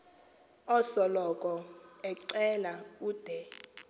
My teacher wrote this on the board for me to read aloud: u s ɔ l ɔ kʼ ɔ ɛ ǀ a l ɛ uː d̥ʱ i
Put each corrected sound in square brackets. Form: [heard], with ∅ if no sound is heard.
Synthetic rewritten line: [ɔ] s ɔ l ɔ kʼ ɔ ɛ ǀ [ɛ] l [a] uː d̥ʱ [ɛ]